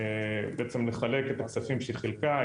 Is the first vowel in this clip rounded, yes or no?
no